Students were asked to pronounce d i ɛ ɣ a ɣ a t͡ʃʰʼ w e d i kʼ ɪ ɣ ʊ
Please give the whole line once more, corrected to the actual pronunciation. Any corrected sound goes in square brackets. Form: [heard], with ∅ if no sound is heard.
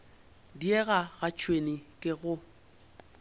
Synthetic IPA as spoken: d i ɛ ɣ a ɣ a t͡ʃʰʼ w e [n] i kʼ ɪ ɣ ʊ